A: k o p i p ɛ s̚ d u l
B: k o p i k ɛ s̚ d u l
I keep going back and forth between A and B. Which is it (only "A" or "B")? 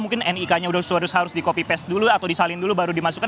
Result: A